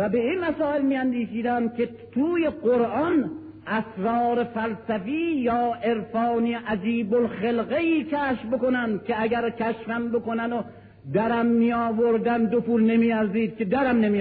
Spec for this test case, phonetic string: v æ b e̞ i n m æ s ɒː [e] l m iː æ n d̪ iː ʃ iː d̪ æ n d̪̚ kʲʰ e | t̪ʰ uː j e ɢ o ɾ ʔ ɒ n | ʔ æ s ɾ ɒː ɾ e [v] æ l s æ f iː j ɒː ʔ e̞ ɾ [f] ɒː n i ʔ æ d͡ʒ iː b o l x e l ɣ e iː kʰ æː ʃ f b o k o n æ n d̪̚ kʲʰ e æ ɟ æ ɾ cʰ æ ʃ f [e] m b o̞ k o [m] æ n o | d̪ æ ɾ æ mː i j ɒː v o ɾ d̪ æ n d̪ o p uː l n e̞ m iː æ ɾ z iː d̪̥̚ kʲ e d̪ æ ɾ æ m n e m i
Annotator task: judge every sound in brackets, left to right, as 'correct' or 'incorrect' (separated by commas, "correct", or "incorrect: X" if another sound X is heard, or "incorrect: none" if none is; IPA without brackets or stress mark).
correct, incorrect: f, correct, incorrect: æ, incorrect: n